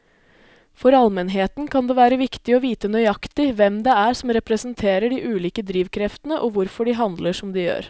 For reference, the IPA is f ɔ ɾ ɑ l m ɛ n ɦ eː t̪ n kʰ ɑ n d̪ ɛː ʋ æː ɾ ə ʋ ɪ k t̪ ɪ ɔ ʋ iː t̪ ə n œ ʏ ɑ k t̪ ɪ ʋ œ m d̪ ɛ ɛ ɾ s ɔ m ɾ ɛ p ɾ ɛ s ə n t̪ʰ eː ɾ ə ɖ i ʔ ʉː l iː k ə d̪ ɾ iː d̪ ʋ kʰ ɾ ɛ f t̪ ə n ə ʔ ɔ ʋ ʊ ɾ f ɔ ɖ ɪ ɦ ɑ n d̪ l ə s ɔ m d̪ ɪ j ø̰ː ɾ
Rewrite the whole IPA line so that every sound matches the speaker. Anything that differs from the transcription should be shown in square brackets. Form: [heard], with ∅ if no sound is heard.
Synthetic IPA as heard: f ɔ ɾ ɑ l m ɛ n ɦ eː t̪ n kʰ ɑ n d̪ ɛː ʋ æː ɾ ə ʋ ɪ k t̪ ɪ ɔ ʋ iː t̪ ə n œ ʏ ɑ k t̪ ɪ ʋ [ɛ] m d̪ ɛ [æ] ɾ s ɔ m ɾ ɛ p ɾ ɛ s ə n t̪ʰ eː ɾ ə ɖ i ʔ ʉː l iː k ə d̪ ɾ iː [∅] ʋ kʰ ɾ ɛ f t̪ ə n ə ʔ ɔ ʋ ʊ ɾ f ɔ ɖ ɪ ɦ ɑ n d̪ l ə [ʂ] ɔ m d̪ ɪ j ø̰ː ɾ